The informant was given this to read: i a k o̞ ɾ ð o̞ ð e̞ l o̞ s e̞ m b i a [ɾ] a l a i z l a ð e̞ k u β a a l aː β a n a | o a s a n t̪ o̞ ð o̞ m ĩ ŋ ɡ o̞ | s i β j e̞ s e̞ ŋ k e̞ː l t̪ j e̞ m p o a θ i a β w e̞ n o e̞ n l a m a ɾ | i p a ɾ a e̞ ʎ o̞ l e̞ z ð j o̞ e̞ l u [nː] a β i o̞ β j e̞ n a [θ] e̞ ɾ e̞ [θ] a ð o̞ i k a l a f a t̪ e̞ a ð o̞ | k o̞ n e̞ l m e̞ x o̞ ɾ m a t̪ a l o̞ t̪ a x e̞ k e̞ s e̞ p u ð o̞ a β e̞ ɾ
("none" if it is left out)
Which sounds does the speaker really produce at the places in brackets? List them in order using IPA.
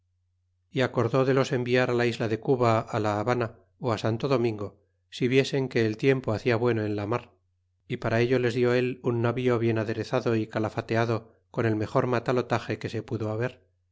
ɾ, nː, ð, θ

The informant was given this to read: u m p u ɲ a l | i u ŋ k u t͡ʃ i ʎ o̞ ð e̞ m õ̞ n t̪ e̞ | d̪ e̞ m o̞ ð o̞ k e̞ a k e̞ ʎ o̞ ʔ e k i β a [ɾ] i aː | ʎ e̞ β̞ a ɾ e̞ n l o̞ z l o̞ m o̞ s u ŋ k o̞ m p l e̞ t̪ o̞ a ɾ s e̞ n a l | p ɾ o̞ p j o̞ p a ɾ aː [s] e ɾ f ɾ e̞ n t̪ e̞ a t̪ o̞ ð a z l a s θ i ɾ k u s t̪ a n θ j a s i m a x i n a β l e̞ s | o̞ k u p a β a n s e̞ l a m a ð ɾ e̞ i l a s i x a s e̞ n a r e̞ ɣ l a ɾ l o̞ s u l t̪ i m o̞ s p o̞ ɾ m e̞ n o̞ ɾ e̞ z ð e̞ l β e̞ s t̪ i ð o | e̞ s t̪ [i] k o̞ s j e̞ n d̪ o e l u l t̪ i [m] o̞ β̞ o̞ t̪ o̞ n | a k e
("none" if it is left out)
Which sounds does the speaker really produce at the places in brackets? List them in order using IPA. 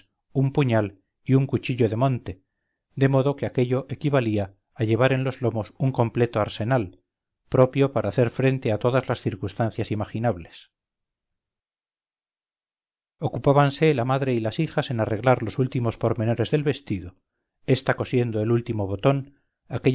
l, θ, a, m

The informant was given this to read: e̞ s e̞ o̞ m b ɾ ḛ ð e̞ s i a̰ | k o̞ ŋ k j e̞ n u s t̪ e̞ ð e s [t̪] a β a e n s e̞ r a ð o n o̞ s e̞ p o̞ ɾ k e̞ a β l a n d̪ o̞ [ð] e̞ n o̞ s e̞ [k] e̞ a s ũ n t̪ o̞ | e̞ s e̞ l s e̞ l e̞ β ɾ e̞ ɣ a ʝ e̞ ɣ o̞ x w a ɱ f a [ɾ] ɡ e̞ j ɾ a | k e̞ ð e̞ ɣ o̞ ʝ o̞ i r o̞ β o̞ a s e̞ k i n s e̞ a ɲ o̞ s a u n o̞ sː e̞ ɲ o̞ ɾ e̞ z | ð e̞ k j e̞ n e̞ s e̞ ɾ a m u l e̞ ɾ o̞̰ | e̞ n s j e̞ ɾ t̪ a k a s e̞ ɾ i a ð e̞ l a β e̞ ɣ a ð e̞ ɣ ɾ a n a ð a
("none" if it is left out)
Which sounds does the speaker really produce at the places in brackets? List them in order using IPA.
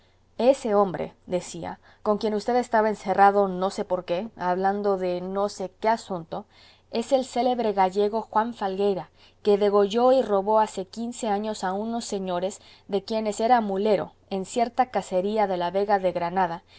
t̪, ð, k, l

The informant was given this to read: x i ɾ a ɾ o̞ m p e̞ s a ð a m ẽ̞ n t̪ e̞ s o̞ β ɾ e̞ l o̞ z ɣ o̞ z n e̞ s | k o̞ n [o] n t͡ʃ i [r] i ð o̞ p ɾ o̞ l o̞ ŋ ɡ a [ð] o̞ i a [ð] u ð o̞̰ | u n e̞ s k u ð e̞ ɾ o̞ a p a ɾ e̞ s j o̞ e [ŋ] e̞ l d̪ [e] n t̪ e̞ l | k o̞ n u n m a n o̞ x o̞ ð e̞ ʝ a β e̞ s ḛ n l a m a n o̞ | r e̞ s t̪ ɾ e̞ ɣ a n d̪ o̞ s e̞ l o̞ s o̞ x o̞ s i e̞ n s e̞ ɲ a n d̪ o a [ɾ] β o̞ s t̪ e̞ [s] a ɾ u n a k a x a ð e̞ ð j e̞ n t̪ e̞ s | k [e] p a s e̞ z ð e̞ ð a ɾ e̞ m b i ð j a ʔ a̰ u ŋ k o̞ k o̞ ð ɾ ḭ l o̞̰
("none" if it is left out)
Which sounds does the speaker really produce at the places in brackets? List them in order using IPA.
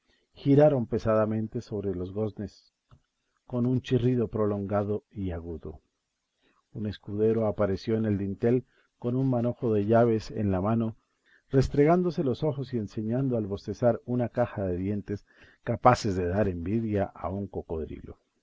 u, r, ð, ɣ, n, i, l, s, a

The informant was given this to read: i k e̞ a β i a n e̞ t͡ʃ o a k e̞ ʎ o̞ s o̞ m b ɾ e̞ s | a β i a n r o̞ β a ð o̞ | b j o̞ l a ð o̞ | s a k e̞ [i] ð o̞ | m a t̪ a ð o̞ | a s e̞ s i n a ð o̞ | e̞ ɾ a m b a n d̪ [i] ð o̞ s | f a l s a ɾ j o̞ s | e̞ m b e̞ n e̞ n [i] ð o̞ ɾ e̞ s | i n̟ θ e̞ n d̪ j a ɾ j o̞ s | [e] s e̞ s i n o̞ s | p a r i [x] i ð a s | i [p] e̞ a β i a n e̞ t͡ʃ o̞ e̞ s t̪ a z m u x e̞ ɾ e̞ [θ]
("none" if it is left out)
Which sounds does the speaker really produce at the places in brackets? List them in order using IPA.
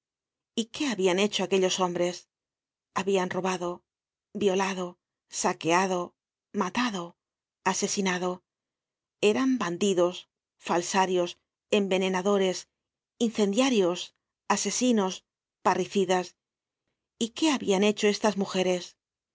a, i, a, a, θ, k, s

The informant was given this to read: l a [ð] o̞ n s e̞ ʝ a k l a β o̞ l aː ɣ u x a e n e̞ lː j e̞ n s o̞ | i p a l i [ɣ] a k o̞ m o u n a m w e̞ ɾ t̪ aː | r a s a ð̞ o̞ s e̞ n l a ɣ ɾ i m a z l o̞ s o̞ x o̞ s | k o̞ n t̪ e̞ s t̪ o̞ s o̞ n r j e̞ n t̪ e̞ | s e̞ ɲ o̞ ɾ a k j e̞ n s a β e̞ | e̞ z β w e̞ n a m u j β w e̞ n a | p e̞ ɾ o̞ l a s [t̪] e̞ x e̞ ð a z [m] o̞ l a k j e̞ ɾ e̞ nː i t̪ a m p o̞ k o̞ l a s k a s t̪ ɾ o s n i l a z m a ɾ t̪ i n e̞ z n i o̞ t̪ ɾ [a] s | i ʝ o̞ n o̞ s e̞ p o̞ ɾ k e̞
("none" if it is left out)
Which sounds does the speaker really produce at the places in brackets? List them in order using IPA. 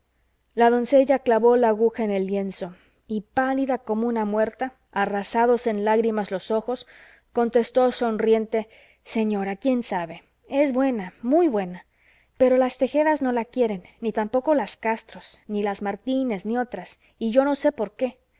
ð, ð, t̪, n, a

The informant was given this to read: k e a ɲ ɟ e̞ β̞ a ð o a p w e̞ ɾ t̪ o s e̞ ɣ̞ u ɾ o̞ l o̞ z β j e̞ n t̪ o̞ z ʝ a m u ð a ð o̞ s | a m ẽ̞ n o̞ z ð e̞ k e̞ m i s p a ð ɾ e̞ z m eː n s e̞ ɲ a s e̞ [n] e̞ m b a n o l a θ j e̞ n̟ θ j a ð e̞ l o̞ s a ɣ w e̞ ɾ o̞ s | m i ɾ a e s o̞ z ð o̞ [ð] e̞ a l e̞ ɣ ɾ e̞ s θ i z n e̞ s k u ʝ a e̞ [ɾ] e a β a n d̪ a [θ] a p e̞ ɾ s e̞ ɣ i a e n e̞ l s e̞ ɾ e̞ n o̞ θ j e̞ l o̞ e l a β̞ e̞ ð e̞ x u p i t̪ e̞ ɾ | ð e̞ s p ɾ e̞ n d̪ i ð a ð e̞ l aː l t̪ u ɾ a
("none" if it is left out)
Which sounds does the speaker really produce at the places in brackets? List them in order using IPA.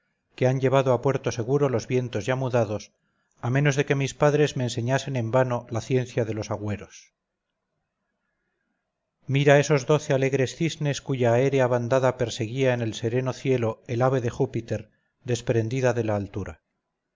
n, θ, ɾ, ð

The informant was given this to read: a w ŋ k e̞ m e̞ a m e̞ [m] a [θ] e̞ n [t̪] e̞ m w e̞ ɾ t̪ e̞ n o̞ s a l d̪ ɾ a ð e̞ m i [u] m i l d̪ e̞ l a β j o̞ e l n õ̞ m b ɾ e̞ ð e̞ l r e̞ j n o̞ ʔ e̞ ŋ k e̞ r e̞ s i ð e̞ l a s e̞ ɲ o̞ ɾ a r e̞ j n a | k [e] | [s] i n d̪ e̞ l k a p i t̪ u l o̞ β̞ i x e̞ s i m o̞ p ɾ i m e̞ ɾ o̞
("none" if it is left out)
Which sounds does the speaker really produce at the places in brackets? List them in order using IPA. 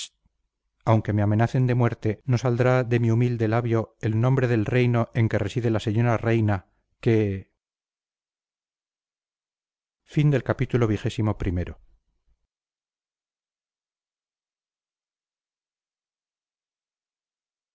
n, θ, d̪, u, e, f

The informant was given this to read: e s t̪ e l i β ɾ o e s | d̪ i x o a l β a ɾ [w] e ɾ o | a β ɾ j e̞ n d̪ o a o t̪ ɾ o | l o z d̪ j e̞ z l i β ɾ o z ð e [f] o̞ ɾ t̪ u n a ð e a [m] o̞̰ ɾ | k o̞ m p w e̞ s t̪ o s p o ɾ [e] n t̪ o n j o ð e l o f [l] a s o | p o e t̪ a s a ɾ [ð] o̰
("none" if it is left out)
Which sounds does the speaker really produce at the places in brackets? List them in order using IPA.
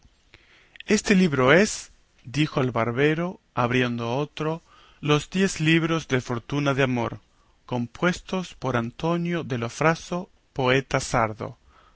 β, f, m, a, ɾ, ð

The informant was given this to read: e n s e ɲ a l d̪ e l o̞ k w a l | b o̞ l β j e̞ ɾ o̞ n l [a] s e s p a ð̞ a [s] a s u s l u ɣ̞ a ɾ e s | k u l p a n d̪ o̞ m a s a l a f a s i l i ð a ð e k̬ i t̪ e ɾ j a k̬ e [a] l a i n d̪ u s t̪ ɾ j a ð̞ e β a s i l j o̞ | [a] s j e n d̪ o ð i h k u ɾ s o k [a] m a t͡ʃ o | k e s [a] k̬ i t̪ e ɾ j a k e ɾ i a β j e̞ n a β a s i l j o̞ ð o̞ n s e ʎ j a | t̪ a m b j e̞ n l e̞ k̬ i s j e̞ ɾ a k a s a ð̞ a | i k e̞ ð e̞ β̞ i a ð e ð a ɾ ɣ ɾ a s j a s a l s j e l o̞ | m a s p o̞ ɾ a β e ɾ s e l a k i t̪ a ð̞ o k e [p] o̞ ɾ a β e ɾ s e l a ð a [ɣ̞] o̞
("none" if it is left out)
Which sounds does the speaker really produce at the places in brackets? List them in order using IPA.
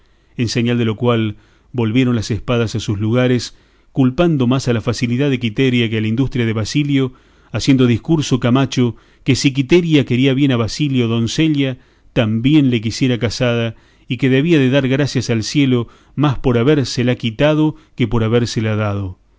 a, s, a, a, a, i, p, ð̞

